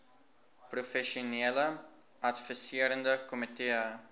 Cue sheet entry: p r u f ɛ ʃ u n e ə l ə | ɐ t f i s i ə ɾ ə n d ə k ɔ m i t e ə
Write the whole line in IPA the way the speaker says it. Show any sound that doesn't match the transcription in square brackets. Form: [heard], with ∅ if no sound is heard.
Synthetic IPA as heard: p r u f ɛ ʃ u n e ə l ə | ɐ t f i s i ə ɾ ə n d ə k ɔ m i t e ə